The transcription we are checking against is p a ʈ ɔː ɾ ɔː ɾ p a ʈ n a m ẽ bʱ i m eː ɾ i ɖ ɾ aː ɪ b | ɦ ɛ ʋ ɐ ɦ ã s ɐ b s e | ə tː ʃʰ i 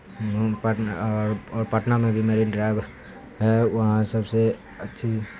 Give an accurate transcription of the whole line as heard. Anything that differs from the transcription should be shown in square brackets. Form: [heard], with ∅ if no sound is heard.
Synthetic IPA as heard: p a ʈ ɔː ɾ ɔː ɾ p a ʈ n a m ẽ bʱ i m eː ɾ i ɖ ɾ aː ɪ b | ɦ ɛ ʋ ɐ ɦ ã s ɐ b s e | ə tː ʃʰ i